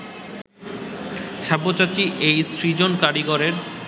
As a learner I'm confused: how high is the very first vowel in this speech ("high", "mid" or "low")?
low